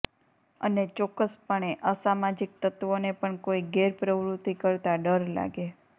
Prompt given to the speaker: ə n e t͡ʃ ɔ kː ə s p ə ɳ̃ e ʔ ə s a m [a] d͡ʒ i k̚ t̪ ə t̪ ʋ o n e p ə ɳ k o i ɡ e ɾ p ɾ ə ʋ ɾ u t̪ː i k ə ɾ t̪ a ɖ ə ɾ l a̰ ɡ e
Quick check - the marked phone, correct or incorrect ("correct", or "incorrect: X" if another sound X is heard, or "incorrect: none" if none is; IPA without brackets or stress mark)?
correct